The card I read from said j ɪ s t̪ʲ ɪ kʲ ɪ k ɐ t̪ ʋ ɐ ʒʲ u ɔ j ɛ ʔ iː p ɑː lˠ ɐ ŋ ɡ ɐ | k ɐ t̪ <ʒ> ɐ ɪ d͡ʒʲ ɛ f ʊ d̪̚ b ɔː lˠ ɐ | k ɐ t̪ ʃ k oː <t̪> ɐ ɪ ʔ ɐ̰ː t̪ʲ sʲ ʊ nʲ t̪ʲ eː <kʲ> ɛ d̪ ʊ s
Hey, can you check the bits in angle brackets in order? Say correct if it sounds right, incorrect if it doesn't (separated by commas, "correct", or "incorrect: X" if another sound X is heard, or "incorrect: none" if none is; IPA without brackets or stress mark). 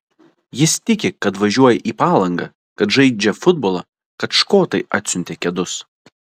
correct, correct, correct